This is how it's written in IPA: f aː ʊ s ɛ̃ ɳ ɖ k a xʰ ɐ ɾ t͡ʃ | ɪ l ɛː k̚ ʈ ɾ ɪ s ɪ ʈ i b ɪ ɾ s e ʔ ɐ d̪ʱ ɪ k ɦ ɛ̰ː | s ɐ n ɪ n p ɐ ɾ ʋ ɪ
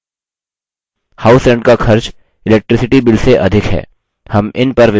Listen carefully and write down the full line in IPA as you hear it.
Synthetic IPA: h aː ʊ s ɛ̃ ɳ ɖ k a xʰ ɐ ɾ t͡ʃ | ɪ l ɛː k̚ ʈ ɾ ɪ s ɪ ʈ i b ɪ l s e ʔ ɐ d̪ʱ ɪ k ɦ ɛ̰ː | h ɐ m ɪ n p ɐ ɾ ʋ ɪ